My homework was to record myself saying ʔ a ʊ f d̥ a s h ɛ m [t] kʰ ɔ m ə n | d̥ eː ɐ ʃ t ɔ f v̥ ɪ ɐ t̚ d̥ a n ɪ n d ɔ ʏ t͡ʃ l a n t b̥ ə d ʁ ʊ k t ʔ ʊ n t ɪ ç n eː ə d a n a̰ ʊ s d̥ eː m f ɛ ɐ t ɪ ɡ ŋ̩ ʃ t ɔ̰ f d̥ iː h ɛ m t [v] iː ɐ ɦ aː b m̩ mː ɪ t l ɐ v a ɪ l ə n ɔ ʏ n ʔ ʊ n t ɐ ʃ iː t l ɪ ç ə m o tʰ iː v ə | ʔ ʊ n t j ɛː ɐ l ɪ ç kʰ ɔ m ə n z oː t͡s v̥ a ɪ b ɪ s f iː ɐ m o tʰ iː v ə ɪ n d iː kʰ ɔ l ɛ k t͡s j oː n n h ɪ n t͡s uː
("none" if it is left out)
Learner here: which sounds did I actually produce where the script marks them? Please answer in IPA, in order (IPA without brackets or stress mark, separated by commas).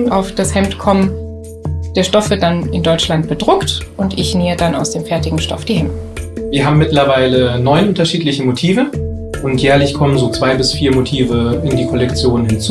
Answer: t, v